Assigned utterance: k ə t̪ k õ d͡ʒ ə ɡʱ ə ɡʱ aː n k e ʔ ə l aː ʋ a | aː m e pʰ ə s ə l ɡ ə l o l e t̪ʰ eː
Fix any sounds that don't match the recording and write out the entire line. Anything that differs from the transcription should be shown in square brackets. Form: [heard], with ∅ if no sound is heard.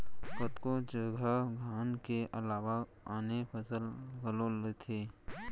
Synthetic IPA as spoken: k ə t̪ k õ d͡ʒ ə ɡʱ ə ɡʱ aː n k e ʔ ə l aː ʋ a | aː [n] e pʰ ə s ə l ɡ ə l o l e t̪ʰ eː